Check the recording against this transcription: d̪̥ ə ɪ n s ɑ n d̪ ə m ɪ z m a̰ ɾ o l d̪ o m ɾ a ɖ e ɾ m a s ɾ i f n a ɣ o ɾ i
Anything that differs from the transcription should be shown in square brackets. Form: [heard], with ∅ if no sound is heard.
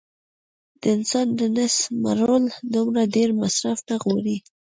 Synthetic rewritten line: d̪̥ ə ɪ n s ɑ n d̪ ə [n] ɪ [s] m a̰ ɾ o l d̪ [u] m ɾ a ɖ e ɾ m a s ɾ [a] f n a ɣ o ɾ i